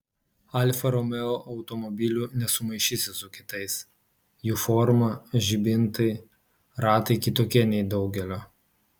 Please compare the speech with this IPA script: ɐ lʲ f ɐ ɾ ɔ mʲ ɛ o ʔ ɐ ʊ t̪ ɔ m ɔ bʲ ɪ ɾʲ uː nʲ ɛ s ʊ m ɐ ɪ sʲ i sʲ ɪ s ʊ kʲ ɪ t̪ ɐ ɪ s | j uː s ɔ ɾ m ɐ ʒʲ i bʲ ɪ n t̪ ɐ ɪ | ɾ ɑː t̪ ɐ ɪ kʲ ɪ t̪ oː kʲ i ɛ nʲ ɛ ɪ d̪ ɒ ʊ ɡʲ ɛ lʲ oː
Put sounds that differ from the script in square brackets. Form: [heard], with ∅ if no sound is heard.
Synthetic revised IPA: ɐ lʲ f ɐ ɾ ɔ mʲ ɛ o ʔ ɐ ʊ t̪ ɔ m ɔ bʲ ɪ [lʲ] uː nʲ ɛ s ʊ m ɐ ɪ [ʃʲ] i sʲ ɪ s ʊ kʲ ɪ t̪ ɐ ɪ s | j uː [f] ɔ ɾ m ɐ ʒʲ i bʲ ɪ n t̪ ɐ ɪ | ɾ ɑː t̪ ɐ ɪ kʲ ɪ t̪ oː kʲ i ɛ nʲ ɛ ɪ d̪ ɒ ʊ ɡʲ ɛ lʲ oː